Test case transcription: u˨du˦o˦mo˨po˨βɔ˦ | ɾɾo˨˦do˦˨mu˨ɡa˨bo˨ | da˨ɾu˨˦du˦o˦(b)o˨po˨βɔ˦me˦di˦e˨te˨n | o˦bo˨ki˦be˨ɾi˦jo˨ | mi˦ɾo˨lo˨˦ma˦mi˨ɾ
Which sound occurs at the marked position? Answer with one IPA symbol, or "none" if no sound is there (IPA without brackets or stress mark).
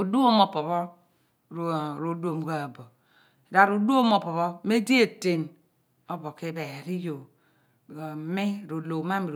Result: m